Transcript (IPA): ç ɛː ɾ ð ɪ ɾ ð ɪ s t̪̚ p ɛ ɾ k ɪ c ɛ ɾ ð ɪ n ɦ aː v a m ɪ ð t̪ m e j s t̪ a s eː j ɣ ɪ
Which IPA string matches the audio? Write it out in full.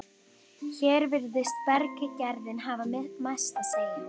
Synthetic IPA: ç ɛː ɾ v ɪ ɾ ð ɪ s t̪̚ p ɛ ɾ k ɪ c ɛ ɾ ð ɪ n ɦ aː v a m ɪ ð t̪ m a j s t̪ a s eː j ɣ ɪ